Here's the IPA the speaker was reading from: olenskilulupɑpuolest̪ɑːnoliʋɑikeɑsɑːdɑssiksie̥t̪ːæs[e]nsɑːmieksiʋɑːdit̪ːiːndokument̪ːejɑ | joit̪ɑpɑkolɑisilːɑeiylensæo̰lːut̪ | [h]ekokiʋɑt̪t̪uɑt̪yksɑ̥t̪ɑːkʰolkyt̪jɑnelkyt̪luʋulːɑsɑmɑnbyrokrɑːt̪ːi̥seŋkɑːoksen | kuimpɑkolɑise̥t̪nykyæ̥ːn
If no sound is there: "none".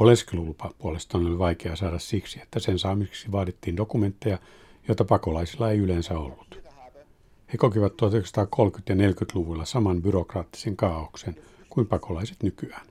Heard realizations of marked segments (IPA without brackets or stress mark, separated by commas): e, h